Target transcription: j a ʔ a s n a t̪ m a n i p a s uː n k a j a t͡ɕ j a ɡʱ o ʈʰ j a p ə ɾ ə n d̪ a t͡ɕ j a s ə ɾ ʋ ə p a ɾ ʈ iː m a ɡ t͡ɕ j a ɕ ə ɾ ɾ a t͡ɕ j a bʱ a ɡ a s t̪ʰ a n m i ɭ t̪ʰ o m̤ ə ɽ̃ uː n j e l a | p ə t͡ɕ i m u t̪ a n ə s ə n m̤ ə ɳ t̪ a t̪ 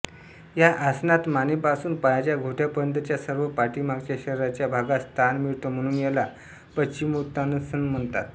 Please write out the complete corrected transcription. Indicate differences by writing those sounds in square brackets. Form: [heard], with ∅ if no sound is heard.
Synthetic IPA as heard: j a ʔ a s n a t̪ m a n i p a s uː n [p] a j a t͡ɕ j a ɡʱ o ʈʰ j a p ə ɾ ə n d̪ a t͡ɕ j a s ə ɾ ʋ ə p a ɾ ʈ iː m a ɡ t͡ɕ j a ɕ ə ɾ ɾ a t͡ɕ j a bʱ a ɡ a s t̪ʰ a n m i ɭ [t̪] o m̤ ə ɽ̃ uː n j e l a | p ə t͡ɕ i m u t̪ a n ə s ə n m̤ ə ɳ t̪ a t̪

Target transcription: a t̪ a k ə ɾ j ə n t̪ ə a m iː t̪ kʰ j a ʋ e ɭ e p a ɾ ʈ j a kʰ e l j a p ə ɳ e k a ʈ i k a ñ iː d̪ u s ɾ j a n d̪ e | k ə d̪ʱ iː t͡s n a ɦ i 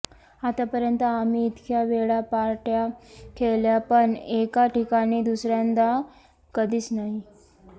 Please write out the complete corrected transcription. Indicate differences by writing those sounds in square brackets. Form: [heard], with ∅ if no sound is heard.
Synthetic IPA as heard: a t̪ a [p] ə ɾ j ə n t̪ ə a m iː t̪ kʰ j a ʋ e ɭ [a] p a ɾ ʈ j a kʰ e l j a p ə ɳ e k a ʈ i k a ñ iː d̪ u s ɾ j a n d̪ [a] | k ə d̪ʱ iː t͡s n a ɦ i

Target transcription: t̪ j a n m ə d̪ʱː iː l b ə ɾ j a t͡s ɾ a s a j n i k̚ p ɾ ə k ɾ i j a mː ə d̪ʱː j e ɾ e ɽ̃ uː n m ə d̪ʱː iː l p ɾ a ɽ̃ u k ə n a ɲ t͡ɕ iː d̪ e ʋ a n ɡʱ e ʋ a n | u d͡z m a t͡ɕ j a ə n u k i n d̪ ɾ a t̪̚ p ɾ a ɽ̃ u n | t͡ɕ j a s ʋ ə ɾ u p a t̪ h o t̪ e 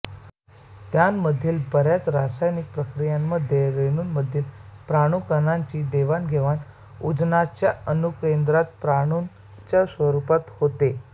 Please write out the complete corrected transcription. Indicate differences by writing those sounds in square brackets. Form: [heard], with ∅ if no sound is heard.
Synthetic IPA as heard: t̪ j a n m ə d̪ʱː iː l b ə ɾ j a t͡s ɾ a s a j n i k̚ p ɾ ə k ɾ i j a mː ə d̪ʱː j e ɾ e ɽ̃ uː n m ə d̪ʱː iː l p ɾ a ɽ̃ u k ə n a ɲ t͡ɕ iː d̪ e ʋ a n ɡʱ e ʋ a n | u d͡z [n] a t͡ɕ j a ə n u k [e] n d̪ ɾ a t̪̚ p ɾ a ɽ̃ u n | t͡ɕ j a s ʋ ə ɾ u p a t̪ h o t̪ e

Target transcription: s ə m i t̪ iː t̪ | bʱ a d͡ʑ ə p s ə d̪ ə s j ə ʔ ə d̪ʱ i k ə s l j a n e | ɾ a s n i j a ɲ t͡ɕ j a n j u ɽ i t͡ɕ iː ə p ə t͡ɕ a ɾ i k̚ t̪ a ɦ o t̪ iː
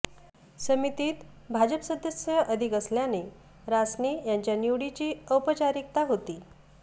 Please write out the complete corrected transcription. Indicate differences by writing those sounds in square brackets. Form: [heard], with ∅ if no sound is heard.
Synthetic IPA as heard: s ə m i t̪ iː t̪ | bʱ a d͡ʑ ə p s ə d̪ ə s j ə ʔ ə d̪ʱ i k ə s l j a n e | ɾ a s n i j a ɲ t͡ɕ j a n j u ɽ i t͡ɕ iː ə p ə t͡ɕ a ɾ i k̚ t̪ a ɦ o t̪ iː

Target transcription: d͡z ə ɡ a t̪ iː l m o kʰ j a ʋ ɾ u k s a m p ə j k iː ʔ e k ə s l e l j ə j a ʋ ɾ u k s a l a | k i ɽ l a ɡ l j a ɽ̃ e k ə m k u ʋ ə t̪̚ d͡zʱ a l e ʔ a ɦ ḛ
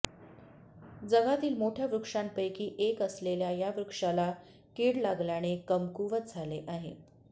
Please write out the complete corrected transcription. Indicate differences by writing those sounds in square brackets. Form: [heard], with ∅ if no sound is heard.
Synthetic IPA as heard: d͡z ə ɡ a t̪ iː l m o [ʈʰ] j a ʋ ɾ u k [ʂ] a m p ə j k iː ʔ e k ə s l e l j [a] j a ʋ ɾ u k [ʂ] a l a | k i ɽ l a ɡ l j a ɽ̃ e k ə m k u ʋ ə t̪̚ d͡zʱ a l e ʔ a ɦ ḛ

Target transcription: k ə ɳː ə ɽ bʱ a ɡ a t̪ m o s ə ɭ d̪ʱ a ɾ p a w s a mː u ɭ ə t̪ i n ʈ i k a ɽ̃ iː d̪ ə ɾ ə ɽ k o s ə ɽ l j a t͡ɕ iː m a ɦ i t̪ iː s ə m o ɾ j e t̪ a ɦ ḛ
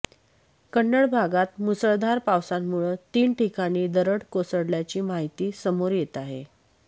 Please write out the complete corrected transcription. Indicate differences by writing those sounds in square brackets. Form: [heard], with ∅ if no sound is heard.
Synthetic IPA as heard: k ə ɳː ə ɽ bʱ a ɡ a t̪ m [u] s ə ɭ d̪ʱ a ɾ p a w s a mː u ɭ ə t̪ [iː] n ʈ i k a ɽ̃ iː d̪ ə ɾ ə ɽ k o s ə ɽ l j a t͡ɕ iː m a ɦ i t̪ iː s ə m o ɾ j e t̪ a ɦ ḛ

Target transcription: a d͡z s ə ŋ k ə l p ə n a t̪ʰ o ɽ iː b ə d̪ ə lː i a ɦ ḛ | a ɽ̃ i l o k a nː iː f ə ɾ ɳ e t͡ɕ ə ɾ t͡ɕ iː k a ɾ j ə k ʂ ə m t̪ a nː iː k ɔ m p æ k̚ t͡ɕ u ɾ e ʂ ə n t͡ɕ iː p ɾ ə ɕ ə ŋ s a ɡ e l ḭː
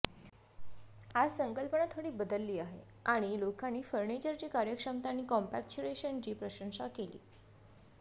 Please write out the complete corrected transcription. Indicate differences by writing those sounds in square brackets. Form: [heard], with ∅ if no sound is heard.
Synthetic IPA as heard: a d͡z s ə ŋ k ə l p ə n a t̪ʰ o ɽ iː b ə d̪ ə lː [iː] a ɦ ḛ | a ɽ̃ i l o k a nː iː f ə ɾ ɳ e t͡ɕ ə ɾ t͡ɕ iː k a ɾ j ə k ʂ ə m t̪ a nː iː k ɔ m p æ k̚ t͡ɕ u ɾ e [ɕ] ə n t͡ɕ iː p ɾ ə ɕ ə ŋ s a [k] e l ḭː

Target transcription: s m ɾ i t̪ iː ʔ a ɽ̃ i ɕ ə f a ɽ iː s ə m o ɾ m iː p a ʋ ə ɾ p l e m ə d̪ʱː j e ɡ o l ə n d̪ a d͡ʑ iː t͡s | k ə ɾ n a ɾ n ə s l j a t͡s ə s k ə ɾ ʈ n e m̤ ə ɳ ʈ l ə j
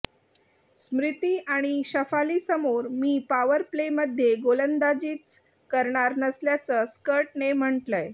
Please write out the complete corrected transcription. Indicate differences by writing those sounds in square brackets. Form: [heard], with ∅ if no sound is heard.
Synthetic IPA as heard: s m ɾ i t̪ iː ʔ a ɽ̃ i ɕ ə f a [l] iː s ə m o ɾ m iː p a ʋ ə ɾ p l e m ə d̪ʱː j e ɡ o l ə n d̪ a d͡ʑ iː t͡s | k ə ɾ [ɳ] a ɾ n ə s l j a t͡s ə s k ə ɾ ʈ n e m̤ ə ɳ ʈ l ə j

